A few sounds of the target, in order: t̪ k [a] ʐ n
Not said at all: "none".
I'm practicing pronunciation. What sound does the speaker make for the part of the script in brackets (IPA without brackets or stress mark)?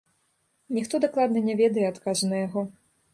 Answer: a